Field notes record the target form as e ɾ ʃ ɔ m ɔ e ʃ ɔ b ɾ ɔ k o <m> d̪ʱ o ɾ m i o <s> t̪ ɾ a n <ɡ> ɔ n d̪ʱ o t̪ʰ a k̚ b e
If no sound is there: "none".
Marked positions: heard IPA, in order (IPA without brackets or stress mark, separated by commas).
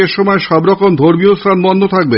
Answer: m, s, b